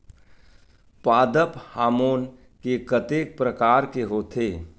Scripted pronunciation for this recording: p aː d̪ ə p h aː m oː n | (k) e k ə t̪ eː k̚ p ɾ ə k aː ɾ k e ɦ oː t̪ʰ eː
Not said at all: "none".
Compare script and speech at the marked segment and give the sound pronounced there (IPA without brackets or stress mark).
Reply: k